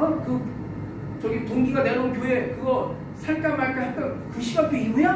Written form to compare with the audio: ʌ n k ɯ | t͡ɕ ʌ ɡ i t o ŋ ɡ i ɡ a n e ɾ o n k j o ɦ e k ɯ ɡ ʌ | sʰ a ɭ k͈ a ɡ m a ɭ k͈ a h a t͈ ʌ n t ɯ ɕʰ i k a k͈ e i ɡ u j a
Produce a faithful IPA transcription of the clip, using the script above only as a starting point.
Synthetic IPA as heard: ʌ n k ɯ | t͡ɕ ʌ ɡ i t o ŋ ɡ i ɡ a n e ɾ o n k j o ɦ e k ɯ ɡ ʌ | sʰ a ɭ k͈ a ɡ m a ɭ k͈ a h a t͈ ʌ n k ɯ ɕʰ i ɡ a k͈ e i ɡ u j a

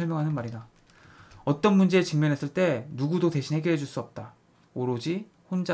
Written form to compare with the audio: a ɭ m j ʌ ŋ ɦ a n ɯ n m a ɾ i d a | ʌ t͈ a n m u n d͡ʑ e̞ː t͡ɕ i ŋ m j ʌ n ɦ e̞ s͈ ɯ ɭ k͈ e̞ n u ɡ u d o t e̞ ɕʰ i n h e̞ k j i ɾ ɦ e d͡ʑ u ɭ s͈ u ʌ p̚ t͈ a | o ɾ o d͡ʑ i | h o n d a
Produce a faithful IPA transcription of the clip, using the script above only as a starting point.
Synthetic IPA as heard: ʌ ɭ m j ʌ ŋ ɦ a n ɯ n m a ɾ i d a | ʌ t͈ ʌ n m u n d͡ʑ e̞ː t͡ɕ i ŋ m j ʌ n ɦ e̞ s͈ ɯ ɭ t͈ e̞ n u ɡ u d o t e̞ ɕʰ i n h e̞ ɡ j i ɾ ɦ e d͡ʑ u ɭ s͈ u ʌ p̚ t͈ a | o ɾ o d͡ʑ i | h o n d͡ʑ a

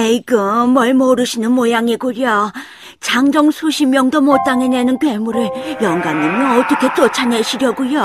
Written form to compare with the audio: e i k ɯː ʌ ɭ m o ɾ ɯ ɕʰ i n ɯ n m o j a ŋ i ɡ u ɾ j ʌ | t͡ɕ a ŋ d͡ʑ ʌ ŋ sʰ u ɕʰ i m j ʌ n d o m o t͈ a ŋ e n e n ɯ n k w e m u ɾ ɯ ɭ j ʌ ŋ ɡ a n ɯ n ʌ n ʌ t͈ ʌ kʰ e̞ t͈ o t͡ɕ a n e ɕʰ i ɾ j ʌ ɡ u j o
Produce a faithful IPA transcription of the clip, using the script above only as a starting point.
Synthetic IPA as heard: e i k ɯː ʌ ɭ m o ɾ ɯ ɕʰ i n ɯ n m o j a ŋ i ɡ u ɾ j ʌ | t͡ɕ a ŋ d͡ʑ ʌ ŋ sʰ u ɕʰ i m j ʌ ŋ d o m o t͈ a ŋ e n e n ɯ n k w e m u ɾ ɯ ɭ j ʌ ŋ ɡ a n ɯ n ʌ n ʌ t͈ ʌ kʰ e̞ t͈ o t͡ɕʰ a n e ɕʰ i ɾ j ʌ ɡ u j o

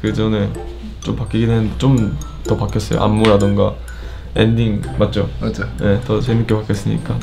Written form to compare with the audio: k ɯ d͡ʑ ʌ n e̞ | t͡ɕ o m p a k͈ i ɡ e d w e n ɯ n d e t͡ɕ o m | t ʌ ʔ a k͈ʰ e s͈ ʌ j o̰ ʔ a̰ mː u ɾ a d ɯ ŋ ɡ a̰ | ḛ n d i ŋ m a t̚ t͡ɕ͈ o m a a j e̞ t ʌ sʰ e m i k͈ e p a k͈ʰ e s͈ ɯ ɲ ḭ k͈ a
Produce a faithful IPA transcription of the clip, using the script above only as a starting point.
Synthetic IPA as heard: k ɯ d͡ʑ ʌ n e̞ | t͡ɕ o m p a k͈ i ɡ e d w e n ɯ n d e t͡ɕ o m | t ʌ p a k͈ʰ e s͈ ʌ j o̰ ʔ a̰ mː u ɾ a d ɯ ŋ ɡ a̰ | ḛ n d i ŋ m a t̚ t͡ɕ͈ o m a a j e̞ t ʌ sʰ e m i k͈ e p a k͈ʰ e s͈ ɯ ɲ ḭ k͈ a

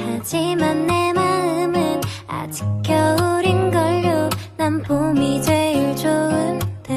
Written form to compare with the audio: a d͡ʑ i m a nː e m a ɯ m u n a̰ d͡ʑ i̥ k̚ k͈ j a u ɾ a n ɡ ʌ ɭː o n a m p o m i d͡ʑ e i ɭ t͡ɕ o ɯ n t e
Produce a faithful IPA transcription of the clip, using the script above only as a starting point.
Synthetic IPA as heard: a d͡ʑ i m a nː e m a ɯ m ɯ n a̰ d͡ʑ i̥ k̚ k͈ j ʌ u ɾ i n ɡ ʌ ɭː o n a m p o m i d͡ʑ e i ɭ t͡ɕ o ɯ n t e

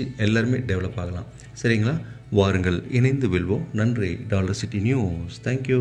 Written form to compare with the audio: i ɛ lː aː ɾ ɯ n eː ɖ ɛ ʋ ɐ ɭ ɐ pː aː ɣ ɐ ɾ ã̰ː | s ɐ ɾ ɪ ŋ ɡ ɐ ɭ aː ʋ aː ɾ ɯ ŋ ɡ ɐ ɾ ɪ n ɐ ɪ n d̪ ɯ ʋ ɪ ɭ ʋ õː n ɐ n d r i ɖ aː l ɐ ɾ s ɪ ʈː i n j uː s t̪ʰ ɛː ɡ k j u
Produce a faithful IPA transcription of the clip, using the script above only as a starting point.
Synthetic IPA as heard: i ɛ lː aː ɾ ɯ m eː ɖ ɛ ʋ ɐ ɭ ɐ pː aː ɣ ɐ l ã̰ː | s ɐ ɾ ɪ ŋ ɡ ɐ ɭ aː ʋ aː ɾ ɯ ŋ ɡ ɐ ɭ ɪ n ɐ ɪ n d̪ ɯ ʋ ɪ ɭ ʋ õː n ɐ n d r i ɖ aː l ɐ ɾ s ɪ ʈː i n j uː s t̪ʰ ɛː ŋ k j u

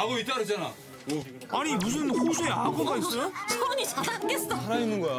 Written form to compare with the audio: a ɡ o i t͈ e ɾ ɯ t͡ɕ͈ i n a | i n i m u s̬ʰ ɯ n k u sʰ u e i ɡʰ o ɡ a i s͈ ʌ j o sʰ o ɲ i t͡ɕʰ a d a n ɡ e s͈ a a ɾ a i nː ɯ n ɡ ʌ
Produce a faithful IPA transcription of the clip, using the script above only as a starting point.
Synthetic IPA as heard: a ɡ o i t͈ a ɾ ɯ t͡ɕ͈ a n a | a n i m u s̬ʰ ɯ n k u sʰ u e a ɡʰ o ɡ a i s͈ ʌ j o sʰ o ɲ i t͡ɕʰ a d a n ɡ e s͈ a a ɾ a i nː ɯ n ɡ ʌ

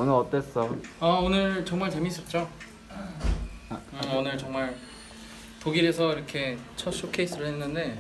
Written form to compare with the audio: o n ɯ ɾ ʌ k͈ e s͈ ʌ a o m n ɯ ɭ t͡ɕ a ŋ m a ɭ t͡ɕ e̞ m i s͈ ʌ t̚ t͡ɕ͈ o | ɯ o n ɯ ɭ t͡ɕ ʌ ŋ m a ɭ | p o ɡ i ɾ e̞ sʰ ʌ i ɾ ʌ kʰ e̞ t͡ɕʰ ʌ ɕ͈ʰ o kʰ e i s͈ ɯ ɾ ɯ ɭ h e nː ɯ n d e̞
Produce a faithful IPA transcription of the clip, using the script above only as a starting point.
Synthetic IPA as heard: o n ɯ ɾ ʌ t͈ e s͈ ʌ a o n ɯ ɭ t͡ɕ ʌ ŋ m a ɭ t͡ɕ e̞ m i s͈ ʌ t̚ t͡ɕ͈ o | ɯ o n ɯ ɭ t͡ɕ ʌ ŋ m a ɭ | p o ɡ i ɾ e̞ sʰ ʌ i ɾ ʌ kʰ e̞ t͡ɕʰ ʌ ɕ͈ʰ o kʰ e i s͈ ɯ ɾ ɯ ɭ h e nː ɯ n d e̞

